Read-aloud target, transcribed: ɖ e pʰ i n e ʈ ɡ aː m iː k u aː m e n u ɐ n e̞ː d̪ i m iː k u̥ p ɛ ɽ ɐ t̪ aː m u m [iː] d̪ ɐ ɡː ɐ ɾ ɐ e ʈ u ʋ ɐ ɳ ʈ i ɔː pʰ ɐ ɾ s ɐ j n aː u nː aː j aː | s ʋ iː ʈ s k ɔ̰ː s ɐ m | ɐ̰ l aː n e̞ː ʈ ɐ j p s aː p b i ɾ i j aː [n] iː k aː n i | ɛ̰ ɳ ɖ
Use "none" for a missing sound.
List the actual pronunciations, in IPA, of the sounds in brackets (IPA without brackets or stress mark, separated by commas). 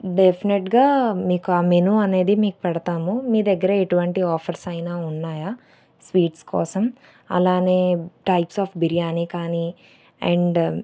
iː, n